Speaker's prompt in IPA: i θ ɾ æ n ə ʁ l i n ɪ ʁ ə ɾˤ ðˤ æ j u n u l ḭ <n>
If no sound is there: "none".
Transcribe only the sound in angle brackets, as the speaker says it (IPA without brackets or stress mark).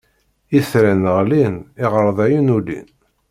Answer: n